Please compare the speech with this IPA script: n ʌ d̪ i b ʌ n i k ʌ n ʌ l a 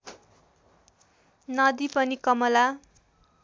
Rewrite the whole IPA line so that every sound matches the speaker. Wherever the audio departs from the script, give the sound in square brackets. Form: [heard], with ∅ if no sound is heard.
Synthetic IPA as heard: n ʌ d̪ i [p] ʌ n i k ʌ [m] ʌ l a